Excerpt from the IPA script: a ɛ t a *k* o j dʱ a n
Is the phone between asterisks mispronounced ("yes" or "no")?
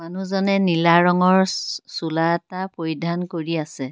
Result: yes